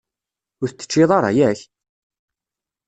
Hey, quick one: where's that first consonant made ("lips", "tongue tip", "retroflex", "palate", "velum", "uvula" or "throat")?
tongue tip